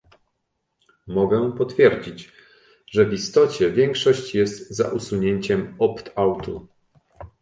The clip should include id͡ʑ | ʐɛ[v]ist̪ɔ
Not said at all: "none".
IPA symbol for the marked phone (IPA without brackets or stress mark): v